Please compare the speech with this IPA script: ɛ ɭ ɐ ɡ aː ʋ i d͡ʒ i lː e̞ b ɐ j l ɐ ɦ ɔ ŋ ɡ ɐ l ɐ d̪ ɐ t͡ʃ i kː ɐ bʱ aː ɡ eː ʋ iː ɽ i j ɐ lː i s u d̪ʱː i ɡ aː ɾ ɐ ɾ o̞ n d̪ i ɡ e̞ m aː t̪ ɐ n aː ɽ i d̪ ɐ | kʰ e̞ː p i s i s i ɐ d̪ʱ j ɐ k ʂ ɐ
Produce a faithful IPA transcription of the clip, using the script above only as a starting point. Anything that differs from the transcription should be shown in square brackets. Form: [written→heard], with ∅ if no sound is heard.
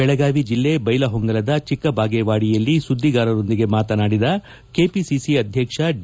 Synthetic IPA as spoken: ɛ ɭ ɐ ɡ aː ʋ i d͡ʒ i lː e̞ b ɐ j l ɐ ɦ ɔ ŋ ɡ ɐ l ɐ d̪ ɐ t͡ʃ i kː ɐ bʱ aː ɡ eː ʋ [iː→aː] ɽ i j ɐ lː i s u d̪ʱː i ɡ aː ɾ ɐ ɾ o̞ n d̪ i ɡ e̞ m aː t̪ ɐ n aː ɽ i d̪ ɐ | [kʰ→k] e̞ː p i s i s i ɐ d̪ʱ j ɐ k ʂ ɐ